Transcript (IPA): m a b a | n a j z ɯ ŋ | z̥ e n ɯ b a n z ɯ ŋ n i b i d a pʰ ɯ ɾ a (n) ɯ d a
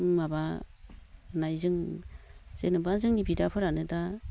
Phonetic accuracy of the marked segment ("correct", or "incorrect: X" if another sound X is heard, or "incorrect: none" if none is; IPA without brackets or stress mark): correct